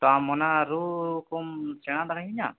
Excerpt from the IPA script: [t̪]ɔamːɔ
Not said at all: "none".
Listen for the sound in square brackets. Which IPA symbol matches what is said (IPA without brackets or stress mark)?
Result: t̪